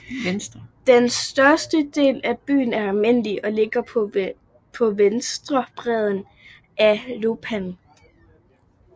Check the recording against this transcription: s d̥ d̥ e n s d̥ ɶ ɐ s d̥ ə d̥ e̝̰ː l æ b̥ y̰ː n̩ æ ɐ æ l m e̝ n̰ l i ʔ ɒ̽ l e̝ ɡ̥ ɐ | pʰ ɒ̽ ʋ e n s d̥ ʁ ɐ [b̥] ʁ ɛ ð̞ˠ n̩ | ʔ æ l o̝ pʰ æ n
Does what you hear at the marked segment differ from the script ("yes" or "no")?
no